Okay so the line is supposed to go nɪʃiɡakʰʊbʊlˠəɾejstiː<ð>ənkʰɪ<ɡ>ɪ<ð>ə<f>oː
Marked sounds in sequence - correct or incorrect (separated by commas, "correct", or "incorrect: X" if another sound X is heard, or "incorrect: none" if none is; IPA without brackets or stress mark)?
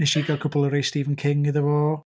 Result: incorrect: v, incorrect: ŋ, correct, incorrect: v